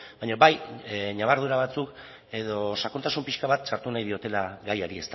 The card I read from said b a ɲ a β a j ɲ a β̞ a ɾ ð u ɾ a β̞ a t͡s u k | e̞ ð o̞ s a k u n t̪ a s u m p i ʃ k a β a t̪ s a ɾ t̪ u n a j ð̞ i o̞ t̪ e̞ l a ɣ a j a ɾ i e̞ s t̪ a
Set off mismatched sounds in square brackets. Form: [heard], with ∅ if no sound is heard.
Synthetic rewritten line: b a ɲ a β a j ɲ a β̞ a ɾ ð u ɾ a β̞ a t͡s u k | e̞ ð o̞ s a k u n t̪ a s u m p i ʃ k a β a t̪ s a ɾ t̪ u n a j ð̞ i o̞ t̪ e̞ l a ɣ a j a ɾ i e̞ s t̪ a